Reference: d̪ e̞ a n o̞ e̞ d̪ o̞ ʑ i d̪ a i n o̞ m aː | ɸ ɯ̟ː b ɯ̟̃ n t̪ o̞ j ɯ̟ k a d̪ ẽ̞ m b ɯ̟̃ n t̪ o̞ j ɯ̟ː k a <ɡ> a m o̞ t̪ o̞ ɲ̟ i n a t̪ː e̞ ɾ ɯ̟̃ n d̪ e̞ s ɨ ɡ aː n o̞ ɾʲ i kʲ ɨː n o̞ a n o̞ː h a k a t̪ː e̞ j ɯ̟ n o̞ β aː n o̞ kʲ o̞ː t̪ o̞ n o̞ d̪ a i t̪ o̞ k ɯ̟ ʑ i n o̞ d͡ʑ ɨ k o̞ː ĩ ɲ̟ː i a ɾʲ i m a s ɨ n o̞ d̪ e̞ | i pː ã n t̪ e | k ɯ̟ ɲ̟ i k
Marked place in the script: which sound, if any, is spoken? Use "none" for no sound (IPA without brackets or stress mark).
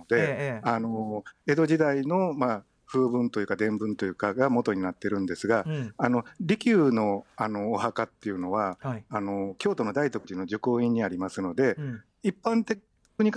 ɡ